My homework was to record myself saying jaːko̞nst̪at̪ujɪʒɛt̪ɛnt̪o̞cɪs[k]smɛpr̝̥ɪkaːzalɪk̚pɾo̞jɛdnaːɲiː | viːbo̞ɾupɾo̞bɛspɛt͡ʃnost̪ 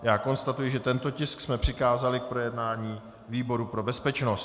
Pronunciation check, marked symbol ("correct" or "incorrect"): correct